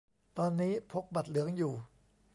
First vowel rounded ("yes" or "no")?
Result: yes